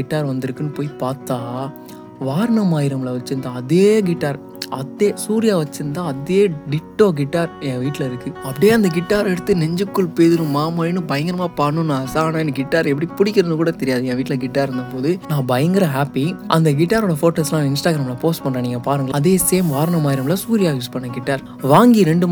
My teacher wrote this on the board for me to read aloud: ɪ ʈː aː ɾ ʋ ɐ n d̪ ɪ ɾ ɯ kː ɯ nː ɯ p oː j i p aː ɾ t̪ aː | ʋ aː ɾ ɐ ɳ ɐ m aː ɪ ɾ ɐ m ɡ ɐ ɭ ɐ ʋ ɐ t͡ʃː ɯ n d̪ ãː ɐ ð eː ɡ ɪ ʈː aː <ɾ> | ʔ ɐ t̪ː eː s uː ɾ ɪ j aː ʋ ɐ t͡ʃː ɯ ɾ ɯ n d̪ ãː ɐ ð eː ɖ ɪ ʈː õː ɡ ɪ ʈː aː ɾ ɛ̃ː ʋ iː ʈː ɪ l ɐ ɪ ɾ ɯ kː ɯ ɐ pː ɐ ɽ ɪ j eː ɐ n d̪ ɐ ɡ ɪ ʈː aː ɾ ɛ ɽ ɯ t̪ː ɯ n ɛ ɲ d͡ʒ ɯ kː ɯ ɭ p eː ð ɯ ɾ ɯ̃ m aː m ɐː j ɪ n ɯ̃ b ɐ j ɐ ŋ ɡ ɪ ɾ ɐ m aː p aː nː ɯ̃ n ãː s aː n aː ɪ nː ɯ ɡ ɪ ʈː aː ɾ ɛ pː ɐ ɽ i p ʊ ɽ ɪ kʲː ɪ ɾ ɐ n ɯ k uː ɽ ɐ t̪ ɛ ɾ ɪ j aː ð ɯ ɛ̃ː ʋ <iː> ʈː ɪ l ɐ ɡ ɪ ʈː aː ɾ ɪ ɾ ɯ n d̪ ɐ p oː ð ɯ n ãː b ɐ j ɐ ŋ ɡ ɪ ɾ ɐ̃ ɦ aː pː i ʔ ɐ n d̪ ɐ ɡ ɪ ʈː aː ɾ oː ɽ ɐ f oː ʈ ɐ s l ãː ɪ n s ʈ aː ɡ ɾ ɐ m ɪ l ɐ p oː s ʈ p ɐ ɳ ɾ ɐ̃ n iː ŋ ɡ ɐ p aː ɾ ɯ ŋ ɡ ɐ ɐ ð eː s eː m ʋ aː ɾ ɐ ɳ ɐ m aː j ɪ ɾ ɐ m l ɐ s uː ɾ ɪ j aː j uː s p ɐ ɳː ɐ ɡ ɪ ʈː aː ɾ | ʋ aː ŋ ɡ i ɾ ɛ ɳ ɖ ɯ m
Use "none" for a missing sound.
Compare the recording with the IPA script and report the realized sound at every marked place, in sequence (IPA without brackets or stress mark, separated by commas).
ɾ, iː